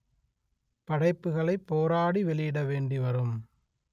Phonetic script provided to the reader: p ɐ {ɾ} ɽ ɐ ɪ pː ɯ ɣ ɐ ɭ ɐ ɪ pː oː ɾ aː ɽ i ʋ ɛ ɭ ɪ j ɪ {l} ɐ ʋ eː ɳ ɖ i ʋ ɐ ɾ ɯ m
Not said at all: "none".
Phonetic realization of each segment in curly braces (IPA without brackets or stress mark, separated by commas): none, ɽ